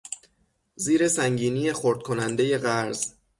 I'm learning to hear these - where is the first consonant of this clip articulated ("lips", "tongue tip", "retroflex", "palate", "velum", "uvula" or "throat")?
tongue tip